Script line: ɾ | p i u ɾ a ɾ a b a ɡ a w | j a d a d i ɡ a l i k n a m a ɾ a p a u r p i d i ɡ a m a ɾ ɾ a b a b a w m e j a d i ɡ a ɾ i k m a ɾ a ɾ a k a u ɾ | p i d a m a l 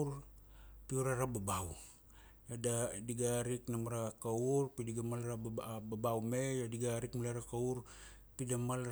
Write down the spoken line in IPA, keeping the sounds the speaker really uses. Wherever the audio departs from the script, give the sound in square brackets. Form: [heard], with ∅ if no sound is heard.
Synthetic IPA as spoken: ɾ | p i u ɾ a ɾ a b a [b] a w | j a d a d i ɡ a [ɾ] i k n a m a ɾ a [k] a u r p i d i ɡ a m a [l] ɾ a b a b a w m e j a d i ɡ a ɾ i k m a [l] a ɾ a k a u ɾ | p i d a m a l